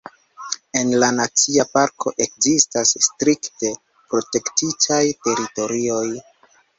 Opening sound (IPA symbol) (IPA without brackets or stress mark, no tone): e̞